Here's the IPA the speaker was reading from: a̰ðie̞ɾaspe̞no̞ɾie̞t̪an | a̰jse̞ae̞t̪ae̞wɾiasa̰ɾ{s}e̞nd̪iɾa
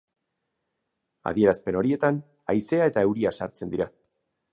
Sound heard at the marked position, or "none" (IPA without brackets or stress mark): t͡s